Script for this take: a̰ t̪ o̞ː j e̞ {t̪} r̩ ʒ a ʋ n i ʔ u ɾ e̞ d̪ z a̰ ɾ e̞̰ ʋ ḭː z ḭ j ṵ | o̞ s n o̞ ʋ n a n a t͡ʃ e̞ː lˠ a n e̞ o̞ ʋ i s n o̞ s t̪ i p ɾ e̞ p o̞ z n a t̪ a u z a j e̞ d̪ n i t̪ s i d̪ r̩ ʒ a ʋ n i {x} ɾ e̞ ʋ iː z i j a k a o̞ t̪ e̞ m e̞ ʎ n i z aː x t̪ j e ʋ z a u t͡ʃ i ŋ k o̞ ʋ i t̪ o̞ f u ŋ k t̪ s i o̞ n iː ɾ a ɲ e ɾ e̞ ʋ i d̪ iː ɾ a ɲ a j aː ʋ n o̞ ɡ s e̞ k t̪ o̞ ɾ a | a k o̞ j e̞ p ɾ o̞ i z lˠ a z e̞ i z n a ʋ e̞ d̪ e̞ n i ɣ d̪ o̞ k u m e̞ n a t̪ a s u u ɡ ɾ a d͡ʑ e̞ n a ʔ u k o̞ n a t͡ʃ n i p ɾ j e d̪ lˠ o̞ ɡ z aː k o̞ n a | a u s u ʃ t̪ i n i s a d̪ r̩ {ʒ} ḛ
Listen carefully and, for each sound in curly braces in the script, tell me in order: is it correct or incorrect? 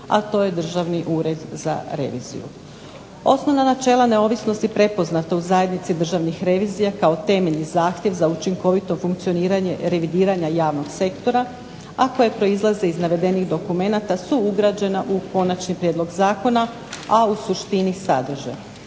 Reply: incorrect: d̪, correct, correct

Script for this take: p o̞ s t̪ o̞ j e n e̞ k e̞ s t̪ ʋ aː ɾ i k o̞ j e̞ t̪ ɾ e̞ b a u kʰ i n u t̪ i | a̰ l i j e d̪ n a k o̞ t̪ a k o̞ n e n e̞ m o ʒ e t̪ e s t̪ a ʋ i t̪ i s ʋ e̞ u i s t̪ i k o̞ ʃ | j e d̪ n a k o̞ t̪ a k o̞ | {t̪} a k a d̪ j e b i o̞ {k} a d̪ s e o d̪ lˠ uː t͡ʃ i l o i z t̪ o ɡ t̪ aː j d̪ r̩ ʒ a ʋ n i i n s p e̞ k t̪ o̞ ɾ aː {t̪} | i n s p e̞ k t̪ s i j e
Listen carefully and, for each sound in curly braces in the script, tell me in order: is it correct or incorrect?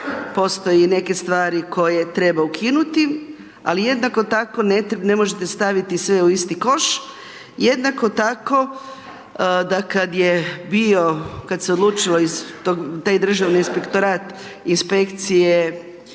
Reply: incorrect: d̪, correct, correct

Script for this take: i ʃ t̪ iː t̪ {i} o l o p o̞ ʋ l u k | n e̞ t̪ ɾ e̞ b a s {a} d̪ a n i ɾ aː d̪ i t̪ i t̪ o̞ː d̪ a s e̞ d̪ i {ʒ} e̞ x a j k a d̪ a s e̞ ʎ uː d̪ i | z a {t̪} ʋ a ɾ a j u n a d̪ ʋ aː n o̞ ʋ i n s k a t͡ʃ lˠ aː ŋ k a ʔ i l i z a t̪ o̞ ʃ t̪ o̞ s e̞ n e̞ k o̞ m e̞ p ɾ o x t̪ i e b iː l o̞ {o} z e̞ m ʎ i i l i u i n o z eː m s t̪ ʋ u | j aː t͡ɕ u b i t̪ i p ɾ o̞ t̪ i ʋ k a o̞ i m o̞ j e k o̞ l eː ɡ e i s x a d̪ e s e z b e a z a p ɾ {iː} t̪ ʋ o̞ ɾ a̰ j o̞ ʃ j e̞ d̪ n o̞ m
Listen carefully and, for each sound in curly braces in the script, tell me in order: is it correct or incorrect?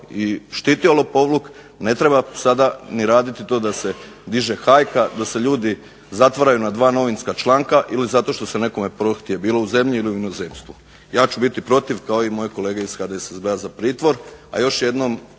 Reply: correct, correct, correct, correct, incorrect: u, correct

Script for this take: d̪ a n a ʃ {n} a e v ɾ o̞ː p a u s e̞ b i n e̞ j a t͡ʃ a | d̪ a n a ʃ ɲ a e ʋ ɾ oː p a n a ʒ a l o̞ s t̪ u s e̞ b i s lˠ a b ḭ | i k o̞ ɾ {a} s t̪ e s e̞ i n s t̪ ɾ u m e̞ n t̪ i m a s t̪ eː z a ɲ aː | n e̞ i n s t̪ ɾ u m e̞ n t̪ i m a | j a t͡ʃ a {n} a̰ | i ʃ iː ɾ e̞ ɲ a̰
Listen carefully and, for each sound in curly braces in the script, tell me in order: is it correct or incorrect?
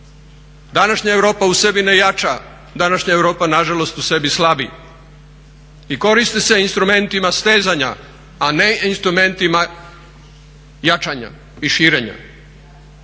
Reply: incorrect: ɲ, incorrect: i, incorrect: ɲ

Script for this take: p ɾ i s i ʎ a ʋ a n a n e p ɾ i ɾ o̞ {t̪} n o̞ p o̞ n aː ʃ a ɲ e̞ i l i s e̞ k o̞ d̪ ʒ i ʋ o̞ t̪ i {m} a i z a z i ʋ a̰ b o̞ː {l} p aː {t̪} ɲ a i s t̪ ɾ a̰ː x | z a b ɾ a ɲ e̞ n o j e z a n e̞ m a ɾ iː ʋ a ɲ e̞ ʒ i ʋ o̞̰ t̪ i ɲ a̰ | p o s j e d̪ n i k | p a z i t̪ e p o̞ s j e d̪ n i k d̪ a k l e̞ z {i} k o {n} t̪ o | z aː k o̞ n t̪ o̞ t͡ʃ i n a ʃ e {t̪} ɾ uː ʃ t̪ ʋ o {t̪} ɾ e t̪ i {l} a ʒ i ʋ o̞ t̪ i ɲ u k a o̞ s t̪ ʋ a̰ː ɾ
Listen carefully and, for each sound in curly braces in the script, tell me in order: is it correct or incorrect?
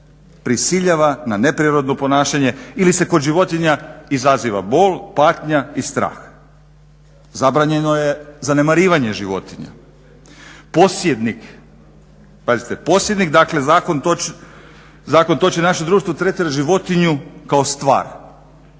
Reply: incorrect: d̪, incorrect: ɲ, correct, correct, incorrect: a, correct, incorrect: d̪, correct, incorrect: ɾ

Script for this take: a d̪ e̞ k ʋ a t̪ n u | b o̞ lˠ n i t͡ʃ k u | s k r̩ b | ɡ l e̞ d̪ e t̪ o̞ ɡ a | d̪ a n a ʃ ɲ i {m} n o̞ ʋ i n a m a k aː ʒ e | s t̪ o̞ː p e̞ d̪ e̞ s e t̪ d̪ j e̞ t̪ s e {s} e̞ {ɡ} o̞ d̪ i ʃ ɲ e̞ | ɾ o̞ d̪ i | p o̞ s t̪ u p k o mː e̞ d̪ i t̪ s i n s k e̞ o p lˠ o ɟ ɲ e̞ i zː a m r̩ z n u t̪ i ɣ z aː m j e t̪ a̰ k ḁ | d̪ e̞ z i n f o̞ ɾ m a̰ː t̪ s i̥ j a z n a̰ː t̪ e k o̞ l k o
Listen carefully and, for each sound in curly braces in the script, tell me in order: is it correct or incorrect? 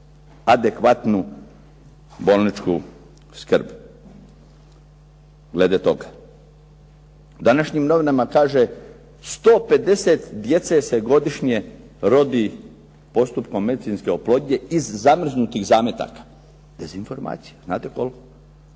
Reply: correct, correct, correct

